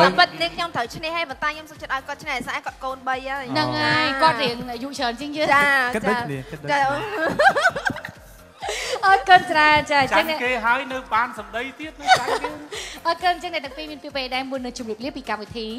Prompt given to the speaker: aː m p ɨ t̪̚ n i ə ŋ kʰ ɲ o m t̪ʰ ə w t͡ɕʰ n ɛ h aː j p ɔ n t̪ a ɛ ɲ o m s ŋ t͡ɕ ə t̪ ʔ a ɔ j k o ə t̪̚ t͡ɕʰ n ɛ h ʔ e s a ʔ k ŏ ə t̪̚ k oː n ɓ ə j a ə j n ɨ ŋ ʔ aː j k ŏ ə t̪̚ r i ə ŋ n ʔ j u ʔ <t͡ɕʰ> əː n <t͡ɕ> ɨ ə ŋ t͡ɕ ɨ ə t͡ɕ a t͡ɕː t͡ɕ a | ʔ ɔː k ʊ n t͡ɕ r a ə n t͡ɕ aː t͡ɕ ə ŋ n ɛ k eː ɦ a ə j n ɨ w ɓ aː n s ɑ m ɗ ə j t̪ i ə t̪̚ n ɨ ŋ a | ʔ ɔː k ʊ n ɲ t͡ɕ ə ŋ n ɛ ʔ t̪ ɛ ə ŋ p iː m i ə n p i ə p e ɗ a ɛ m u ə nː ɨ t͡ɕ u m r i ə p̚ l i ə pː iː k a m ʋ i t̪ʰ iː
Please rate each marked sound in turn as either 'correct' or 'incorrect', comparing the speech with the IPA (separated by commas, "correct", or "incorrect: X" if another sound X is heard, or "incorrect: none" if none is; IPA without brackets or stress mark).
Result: correct, correct